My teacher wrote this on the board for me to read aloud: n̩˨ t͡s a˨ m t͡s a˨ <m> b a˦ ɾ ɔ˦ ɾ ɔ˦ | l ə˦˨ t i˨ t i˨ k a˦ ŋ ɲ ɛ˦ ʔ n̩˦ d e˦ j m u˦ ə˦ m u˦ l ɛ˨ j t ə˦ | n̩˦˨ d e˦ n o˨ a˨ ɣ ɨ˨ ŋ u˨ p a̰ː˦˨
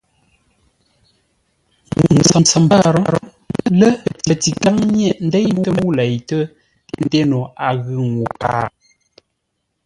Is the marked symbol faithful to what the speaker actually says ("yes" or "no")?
yes